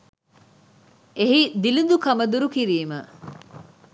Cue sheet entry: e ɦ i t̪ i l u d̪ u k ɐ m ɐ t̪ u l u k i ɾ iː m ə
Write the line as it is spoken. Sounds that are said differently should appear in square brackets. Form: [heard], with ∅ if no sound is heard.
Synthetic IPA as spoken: e ɦ i [d̪] i l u d̪ u k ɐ m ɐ [d̪] u [ɾ] u k i ɾ iː m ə